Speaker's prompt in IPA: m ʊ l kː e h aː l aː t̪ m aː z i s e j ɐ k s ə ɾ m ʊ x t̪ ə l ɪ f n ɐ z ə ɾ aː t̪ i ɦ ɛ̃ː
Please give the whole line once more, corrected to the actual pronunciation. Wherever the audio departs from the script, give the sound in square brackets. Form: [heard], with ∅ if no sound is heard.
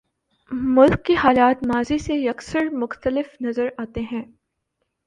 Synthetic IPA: m ʊ l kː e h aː l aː t̪ m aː z i s e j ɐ k s ə ɾ m ʊ x t̪ ə l ɪ f n ɐ z ə ɾ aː t̪ [e] ɦ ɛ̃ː